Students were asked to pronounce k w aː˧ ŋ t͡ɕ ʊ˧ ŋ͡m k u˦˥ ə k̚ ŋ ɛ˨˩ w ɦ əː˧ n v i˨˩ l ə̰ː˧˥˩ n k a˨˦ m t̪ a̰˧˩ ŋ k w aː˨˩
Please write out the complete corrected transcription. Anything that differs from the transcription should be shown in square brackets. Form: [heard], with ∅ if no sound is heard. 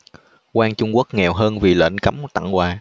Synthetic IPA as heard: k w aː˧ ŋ t͡ɕ ʊ˧ ŋ͡m k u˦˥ ə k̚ ŋ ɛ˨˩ w ɦ əː˧ n v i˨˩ l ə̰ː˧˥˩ n k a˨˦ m t̪ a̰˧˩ ŋ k w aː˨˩